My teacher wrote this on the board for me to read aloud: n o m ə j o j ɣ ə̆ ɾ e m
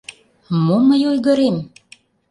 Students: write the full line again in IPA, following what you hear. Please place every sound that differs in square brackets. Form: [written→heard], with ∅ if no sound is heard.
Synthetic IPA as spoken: [n→m] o m ə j o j ɣ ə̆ ɾ e m